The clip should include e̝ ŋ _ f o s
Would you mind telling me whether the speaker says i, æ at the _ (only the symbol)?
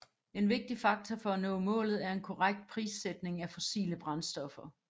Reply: æ